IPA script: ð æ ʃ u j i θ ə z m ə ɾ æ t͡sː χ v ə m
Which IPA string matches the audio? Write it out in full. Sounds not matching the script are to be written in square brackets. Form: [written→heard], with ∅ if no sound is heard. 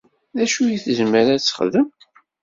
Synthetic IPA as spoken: ð æ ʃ u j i θ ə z m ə ɾ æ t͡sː χ [v→ð] ə m